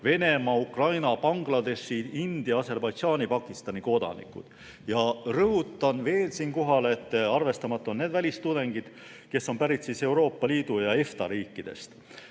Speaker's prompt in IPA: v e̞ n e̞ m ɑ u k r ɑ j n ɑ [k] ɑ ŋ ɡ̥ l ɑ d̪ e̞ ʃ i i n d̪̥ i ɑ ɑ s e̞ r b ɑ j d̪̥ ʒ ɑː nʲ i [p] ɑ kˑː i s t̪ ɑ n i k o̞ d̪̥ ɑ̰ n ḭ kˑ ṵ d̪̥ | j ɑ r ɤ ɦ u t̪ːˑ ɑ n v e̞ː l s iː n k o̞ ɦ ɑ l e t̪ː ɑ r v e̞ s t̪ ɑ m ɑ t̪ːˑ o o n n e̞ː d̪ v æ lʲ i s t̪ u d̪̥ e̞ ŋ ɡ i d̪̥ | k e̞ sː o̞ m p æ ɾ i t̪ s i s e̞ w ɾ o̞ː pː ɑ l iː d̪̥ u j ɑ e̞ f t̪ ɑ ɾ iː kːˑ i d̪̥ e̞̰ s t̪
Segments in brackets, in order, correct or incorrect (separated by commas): incorrect, correct